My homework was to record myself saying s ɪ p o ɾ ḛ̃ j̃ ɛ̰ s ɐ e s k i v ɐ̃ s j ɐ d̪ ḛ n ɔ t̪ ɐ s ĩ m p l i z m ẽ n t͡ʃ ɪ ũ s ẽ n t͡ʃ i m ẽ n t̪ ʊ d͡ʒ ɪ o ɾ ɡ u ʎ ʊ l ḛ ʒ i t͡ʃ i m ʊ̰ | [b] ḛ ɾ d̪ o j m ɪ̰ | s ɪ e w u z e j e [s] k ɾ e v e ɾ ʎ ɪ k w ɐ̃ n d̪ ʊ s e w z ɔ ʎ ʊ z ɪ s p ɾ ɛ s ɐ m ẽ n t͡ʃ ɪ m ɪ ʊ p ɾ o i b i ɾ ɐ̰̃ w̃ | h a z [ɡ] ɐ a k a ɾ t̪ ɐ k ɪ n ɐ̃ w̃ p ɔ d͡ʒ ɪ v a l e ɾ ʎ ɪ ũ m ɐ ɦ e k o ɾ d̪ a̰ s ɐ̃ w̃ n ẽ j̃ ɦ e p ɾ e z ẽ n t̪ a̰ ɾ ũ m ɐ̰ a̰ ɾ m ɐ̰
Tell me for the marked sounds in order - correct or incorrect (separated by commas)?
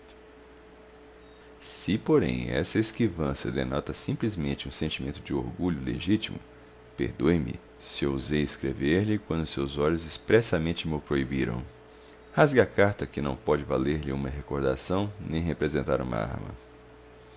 incorrect, correct, correct